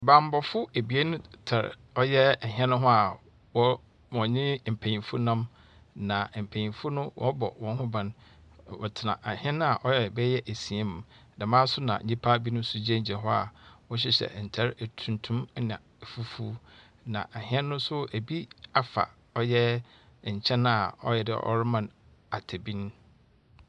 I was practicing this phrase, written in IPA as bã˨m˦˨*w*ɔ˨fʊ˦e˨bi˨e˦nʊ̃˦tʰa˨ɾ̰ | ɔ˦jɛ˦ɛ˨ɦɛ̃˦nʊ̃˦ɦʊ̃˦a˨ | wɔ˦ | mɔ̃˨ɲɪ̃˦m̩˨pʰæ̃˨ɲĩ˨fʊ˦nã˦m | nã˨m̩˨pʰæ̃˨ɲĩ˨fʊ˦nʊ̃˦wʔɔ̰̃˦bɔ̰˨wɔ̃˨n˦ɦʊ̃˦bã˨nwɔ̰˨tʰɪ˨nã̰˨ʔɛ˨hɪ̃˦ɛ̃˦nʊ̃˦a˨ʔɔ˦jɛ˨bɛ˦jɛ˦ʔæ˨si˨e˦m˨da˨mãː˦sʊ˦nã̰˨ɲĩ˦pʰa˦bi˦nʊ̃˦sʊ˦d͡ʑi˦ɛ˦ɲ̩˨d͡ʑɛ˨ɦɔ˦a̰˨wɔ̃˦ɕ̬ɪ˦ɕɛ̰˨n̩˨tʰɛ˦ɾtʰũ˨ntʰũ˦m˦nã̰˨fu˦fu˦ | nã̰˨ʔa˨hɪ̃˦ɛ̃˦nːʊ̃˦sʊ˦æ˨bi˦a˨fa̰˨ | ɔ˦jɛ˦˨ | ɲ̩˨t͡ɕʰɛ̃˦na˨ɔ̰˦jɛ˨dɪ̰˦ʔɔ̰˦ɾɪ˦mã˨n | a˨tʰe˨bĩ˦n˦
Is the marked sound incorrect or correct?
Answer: incorrect: b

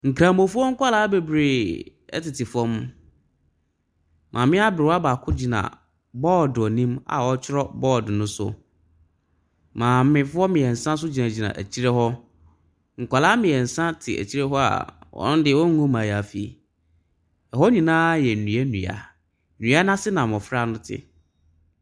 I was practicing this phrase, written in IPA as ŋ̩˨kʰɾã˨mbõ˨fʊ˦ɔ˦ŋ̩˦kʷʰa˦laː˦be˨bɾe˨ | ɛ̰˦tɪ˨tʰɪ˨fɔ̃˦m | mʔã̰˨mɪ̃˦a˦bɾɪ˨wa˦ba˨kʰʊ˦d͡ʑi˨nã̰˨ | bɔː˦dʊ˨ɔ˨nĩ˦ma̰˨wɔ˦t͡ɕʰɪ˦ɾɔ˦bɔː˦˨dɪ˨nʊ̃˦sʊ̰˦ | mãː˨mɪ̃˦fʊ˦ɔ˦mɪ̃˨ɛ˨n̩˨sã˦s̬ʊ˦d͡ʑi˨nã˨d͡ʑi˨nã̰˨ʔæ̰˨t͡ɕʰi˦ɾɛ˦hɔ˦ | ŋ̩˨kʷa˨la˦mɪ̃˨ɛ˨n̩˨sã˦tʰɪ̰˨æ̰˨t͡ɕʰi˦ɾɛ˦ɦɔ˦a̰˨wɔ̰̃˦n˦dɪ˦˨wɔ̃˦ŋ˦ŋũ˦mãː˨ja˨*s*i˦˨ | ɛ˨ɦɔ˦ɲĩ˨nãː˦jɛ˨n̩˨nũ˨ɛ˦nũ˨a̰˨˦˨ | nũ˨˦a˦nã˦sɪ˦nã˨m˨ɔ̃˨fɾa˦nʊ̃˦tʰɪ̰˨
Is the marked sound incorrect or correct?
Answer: incorrect: f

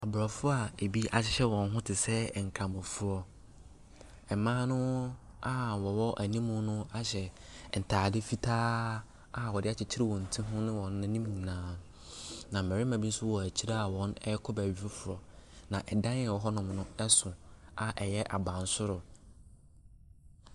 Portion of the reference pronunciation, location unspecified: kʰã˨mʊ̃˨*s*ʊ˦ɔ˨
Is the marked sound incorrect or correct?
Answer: incorrect: f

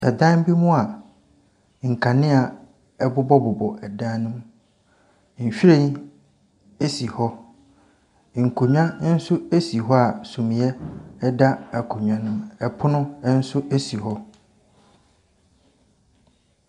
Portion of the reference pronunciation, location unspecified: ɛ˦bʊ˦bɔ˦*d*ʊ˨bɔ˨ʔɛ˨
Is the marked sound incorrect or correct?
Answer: incorrect: b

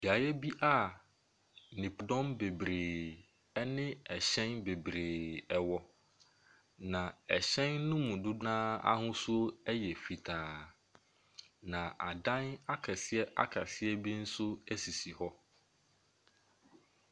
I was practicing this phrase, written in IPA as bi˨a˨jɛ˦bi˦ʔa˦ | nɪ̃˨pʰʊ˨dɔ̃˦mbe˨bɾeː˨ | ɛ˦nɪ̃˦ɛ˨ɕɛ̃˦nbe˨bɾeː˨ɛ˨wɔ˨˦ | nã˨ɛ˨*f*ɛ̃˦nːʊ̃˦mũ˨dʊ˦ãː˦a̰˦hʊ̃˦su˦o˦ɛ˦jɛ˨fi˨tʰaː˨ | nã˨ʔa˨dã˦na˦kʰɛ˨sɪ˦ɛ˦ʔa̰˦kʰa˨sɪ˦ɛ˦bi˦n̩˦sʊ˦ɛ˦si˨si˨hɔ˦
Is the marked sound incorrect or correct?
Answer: incorrect: ɕ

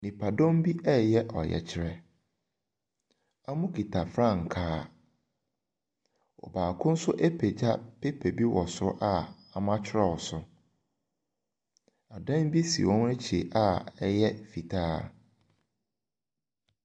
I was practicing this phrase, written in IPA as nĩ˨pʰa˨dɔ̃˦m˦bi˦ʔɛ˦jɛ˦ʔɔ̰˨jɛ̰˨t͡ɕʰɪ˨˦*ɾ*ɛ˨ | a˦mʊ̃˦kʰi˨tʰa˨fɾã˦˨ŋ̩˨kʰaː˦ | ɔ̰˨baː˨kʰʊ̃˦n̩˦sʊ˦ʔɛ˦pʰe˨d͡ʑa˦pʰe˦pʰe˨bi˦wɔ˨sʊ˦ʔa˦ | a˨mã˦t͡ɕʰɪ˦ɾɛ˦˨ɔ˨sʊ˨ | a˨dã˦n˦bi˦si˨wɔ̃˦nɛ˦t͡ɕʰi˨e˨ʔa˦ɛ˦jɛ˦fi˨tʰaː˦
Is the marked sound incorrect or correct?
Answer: correct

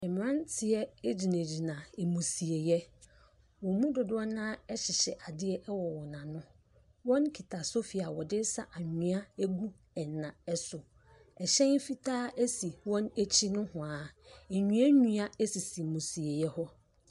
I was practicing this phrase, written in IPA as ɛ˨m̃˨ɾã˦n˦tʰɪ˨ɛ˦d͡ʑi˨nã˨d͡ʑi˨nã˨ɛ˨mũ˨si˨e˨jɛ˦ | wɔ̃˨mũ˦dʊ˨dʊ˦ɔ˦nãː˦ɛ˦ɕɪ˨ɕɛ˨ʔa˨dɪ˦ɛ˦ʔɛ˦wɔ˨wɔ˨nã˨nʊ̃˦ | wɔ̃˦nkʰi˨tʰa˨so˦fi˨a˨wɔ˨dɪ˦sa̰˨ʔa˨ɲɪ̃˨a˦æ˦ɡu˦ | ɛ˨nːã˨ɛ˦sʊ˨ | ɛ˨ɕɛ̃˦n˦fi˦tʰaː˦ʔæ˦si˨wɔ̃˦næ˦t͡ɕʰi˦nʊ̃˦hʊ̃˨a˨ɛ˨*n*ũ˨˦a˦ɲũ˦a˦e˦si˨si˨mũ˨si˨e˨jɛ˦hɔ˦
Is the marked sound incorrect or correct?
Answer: incorrect: ɲ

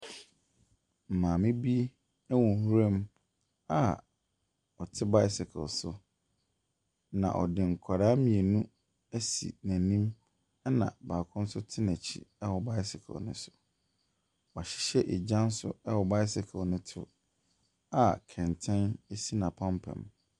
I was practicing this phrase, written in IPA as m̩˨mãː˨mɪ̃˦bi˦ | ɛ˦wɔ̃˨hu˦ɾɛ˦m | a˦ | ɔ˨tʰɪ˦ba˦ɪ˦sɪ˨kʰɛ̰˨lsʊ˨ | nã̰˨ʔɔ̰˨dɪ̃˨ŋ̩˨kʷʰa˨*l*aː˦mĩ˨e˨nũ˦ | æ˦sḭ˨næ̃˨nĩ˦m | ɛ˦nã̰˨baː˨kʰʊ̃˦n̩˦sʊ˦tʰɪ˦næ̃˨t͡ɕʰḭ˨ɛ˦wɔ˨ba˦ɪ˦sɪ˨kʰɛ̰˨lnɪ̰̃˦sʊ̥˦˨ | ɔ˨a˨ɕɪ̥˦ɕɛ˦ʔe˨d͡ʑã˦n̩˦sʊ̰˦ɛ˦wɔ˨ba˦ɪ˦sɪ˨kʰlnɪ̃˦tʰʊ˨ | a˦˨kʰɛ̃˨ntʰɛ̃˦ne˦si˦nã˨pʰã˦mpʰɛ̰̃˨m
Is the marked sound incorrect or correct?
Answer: incorrect: ɾ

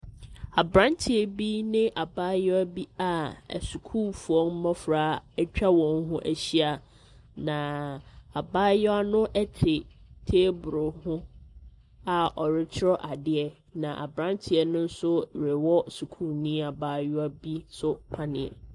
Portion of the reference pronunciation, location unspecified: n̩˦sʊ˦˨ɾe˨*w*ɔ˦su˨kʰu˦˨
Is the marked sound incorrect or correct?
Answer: correct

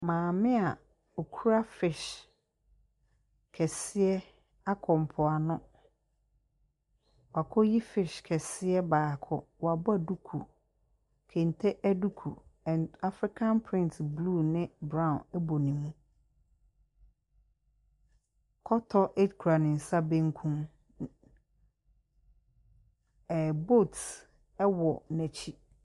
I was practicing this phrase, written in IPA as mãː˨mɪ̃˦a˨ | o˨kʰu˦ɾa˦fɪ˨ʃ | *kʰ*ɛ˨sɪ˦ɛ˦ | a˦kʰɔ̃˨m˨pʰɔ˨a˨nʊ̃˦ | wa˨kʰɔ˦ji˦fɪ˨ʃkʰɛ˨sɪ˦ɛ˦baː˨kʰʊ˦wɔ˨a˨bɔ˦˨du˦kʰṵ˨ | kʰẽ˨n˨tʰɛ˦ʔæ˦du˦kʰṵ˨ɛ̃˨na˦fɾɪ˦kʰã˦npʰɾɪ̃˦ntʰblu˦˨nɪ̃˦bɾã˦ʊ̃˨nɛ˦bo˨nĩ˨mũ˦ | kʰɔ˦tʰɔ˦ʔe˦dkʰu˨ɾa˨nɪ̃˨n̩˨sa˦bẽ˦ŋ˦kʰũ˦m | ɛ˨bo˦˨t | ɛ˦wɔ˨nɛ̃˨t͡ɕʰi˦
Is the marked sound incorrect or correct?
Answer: correct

